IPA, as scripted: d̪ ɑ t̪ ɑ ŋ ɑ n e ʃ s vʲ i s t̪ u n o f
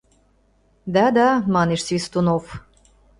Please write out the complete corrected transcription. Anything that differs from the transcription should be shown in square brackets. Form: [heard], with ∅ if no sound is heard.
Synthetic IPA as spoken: d̪ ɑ [d̪] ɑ [m] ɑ n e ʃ s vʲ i s t̪ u n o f